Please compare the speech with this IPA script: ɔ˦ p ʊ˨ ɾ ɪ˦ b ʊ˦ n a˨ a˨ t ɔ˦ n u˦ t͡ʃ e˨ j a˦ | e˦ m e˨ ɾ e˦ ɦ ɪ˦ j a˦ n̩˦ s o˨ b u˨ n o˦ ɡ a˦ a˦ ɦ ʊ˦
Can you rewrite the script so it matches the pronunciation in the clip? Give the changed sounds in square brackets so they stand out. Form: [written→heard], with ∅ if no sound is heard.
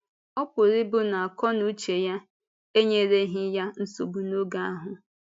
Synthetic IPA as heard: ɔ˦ p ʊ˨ ɾ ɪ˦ b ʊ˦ n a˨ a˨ [t→k] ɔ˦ n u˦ t͡ʃ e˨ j a˦ | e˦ [m→ɲ] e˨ ɾ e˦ ɦ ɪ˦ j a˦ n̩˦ s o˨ b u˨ n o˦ ɡ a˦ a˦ ɦ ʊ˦